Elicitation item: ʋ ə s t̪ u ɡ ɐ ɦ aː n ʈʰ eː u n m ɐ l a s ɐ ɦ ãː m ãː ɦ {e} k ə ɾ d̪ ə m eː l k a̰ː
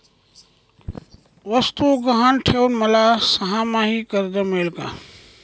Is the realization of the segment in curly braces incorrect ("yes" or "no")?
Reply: yes